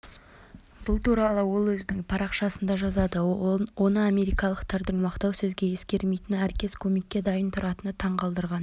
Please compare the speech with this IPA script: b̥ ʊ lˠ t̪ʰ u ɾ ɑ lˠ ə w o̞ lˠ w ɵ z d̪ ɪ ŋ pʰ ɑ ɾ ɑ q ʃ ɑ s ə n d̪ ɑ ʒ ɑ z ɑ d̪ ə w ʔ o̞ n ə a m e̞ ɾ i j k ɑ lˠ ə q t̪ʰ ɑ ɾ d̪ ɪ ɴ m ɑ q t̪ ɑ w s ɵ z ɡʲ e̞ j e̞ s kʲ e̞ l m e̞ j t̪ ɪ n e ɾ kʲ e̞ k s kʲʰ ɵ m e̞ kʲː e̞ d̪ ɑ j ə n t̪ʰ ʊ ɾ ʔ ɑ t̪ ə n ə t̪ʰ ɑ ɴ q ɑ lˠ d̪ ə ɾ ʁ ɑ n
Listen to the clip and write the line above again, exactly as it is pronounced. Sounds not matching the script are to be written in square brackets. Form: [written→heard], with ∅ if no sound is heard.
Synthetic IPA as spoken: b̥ ʊ lˠ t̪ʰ u ɾ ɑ lˠ ə w o̞ lˠ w ɵ z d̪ ɪ ŋ pʰ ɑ ɾ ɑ q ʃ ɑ s ə n d̪ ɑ ʒ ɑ z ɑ d̪ ə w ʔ o̞ n ə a m e̞ ɾ i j k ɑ lˠ ə q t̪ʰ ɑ ɾ d̪ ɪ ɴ m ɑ q t̪ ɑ w s ɵ z ɡʲ e̞ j e̞ s kʲ e̞ [l→ɾ] m e̞ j t̪ ɪ n [e→æ] ɾ kʲ e̞ [k→∅] s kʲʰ ɵ m e̞ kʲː e̞ d̪ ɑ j ə n t̪ʰ ʊ ɾ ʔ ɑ t̪ ə n ə t̪ʰ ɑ ɴ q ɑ lˠ d̪ ə ɾ ʁ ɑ n